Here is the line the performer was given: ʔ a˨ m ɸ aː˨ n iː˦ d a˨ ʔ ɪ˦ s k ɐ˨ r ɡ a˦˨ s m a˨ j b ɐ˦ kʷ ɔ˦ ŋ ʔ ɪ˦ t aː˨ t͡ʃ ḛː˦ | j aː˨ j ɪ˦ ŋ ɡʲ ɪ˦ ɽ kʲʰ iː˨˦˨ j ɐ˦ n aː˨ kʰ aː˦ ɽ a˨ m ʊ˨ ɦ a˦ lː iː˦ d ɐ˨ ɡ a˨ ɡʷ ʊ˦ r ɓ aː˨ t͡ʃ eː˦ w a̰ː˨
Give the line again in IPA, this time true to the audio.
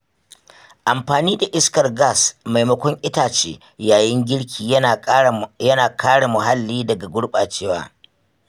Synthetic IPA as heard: ʔ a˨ m ɸ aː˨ n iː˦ d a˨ ʔ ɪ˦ s k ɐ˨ r ɡ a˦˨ s m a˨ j m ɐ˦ kʷ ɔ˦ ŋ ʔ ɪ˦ t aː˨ t͡ʃ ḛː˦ | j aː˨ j ɪ˦ ŋ ɡʲ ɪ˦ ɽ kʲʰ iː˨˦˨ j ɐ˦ n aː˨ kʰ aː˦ ɽ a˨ m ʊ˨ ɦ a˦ lː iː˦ d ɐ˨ ɡ a˨ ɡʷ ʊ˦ ɽ ɓ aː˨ t͡ʃ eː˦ w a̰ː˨